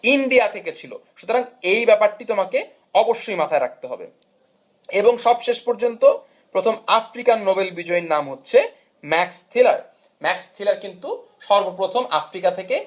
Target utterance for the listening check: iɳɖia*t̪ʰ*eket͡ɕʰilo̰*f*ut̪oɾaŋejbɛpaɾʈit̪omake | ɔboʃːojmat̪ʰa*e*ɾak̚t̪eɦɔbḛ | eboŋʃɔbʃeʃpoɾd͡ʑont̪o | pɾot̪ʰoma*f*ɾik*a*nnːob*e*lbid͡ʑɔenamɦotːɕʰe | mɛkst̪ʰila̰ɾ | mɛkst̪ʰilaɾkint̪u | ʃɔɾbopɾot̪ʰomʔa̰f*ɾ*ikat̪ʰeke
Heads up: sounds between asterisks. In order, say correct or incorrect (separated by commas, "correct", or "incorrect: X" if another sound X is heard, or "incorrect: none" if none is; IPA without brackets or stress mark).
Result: correct, incorrect: ʃ, correct, correct, correct, correct, correct